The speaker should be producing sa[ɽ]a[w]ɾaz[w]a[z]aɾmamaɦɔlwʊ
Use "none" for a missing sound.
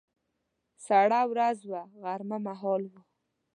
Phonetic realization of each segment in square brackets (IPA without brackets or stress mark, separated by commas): ɽ, w, w, ɣ